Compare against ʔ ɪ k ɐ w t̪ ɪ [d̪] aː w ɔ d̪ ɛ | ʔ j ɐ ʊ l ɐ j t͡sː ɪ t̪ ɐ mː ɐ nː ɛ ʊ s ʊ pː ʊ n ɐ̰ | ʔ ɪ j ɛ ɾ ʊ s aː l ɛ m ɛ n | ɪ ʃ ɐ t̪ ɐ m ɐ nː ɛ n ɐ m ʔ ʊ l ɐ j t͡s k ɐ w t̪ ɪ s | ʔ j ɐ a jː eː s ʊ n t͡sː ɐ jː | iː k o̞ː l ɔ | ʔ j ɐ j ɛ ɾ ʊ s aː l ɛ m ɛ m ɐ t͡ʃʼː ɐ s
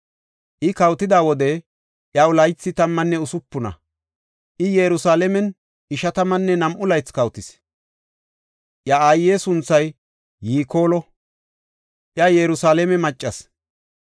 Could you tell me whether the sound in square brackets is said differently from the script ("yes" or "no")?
no